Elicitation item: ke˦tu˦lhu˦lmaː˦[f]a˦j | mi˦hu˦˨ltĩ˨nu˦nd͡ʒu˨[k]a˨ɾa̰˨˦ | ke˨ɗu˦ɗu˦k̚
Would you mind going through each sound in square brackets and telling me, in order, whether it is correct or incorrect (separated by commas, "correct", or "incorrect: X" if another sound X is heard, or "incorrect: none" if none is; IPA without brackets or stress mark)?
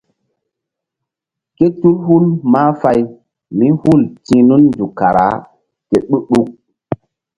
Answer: correct, correct